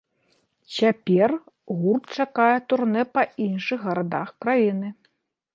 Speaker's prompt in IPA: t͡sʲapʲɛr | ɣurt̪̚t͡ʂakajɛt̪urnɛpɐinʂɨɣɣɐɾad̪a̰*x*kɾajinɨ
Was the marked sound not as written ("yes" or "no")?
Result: no